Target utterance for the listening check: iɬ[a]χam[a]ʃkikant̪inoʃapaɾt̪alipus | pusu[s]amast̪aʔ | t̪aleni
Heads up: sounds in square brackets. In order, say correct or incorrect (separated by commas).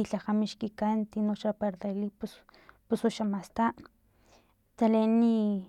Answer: correct, incorrect, incorrect